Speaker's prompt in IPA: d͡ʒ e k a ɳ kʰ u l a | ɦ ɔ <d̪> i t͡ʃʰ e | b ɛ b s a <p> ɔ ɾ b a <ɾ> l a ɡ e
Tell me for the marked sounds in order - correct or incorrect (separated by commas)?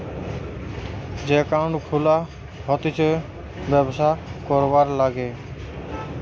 incorrect, incorrect, correct